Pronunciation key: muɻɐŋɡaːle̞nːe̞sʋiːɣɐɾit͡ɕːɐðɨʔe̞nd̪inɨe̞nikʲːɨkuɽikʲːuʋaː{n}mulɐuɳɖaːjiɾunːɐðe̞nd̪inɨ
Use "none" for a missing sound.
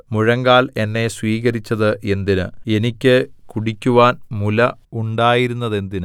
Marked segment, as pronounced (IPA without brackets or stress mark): n